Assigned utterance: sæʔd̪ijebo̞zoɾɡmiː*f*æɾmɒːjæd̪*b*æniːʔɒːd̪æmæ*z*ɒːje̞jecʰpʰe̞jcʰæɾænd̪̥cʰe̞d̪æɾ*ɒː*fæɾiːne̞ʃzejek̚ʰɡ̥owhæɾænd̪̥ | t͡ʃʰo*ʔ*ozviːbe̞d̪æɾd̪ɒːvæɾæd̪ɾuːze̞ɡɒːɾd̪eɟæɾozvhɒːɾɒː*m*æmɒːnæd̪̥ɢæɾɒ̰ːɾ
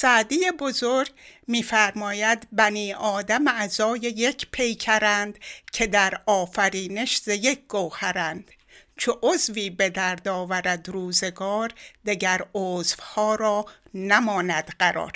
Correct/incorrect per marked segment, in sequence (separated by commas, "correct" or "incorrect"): correct, correct, correct, correct, correct, incorrect